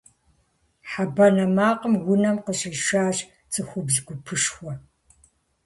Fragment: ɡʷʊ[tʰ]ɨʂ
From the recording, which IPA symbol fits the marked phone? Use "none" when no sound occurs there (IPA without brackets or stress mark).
pʰ